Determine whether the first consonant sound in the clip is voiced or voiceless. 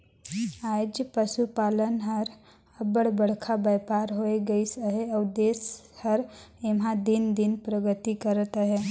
voiced